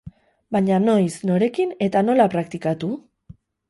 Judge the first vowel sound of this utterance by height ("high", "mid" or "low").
low